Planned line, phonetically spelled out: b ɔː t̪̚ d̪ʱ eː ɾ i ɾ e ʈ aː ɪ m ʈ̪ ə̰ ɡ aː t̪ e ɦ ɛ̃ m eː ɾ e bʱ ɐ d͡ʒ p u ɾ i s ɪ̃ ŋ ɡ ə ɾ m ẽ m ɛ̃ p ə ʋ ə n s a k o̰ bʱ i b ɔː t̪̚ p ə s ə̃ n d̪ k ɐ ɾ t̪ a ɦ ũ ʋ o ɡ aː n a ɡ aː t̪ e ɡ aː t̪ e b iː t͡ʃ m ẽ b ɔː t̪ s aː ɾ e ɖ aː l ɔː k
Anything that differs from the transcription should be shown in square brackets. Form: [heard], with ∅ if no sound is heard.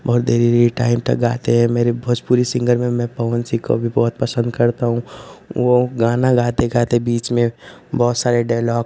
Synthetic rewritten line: b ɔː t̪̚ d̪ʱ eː ɾ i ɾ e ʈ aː ɪ m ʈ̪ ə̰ ɡ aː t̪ e ɦ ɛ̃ m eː ɾ e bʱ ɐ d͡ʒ p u ɾ i s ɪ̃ ŋ ɡ ə ɾ m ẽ m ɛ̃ p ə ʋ ə n s [i] k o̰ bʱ i b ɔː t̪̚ p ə s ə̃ n d̪ k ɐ ɾ t̪ a ɦ ũ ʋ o ɡ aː n a ɡ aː t̪ e ɡ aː t̪ e b iː t͡ʃ m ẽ b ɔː t̪ s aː ɾ e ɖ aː l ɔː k

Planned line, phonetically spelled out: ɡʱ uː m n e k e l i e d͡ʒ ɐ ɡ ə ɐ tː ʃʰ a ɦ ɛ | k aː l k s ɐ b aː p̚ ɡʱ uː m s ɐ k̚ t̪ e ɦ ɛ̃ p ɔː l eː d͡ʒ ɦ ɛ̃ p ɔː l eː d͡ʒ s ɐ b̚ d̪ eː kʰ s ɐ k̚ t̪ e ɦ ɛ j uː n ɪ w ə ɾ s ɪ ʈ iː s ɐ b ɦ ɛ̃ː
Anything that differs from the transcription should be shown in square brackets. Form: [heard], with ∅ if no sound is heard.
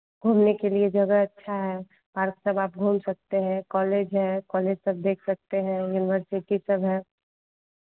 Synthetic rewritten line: ɡʱ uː m n e k e l i e d͡ʒ ɐ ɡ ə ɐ tː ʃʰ a ɦ ɛ | [p] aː [ɾ] k s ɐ b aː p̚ ɡʱ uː m s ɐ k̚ t̪ e ɦ ɛ̃ [k] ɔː l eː d͡ʒ ɦ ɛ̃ [k] ɔː l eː d͡ʒ s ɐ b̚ d̪ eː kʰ s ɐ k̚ t̪ e ɦ [ɛ̃] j uː n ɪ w ə ɾ s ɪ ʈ [i] s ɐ b ɦ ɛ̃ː

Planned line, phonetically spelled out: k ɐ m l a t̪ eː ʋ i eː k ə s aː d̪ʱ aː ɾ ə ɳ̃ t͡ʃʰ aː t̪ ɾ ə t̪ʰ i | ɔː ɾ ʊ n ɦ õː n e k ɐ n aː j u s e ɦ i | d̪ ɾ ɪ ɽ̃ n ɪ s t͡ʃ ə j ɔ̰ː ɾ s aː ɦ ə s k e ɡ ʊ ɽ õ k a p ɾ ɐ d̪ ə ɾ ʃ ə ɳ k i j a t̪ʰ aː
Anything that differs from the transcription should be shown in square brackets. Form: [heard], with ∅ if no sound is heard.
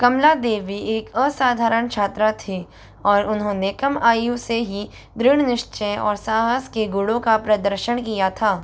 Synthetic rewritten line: k ɐ m l a [d̪] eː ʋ i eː k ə s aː d̪ʱ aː ɾ ə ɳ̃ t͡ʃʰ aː t̪ ɾ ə t̪ʰ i | ɔː ɾ ʊ n ɦ õː n e k ɐ [m] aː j u s e ɦ i | d̪ ɾ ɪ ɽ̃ n ɪ [ʃ] t͡ʃ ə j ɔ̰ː ɾ s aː ɦ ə s k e ɡ ʊ ɽ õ k a p ɾ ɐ d̪ ə ɾ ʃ ə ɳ k i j a t̪ʰ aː

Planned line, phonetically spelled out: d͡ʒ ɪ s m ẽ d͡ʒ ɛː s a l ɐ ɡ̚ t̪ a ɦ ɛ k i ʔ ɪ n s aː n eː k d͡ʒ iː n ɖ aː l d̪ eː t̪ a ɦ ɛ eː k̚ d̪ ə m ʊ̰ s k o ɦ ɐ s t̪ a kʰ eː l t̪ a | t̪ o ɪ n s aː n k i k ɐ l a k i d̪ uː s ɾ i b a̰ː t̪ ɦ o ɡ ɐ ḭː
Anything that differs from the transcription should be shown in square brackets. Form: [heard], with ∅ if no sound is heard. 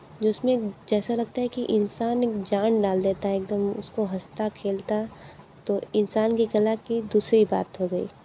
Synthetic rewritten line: d͡ʒ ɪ s m ẽ d͡ʒ ɛː s a l ɐ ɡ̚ t̪ a ɦ ɛ k i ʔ ɪ n s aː n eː k d͡ʒ [aː] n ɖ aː l d̪ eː t̪ a ɦ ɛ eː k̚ d̪ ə m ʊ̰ s k o ɦ ɐ s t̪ a kʰ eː l t̪ a | t̪ o ɪ n s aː n k i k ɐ l a k i d̪ uː s ɾ i b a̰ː t̪ ɦ o ɡ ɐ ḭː

